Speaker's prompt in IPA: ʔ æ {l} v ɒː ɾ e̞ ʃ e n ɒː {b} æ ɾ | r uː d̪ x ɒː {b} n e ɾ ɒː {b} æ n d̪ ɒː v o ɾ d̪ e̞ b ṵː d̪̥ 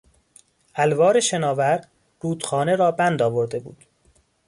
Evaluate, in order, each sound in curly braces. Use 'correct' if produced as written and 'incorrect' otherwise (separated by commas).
correct, incorrect, incorrect, correct